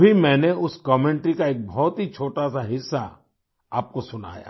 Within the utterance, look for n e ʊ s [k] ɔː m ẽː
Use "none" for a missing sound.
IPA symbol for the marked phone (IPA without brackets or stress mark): k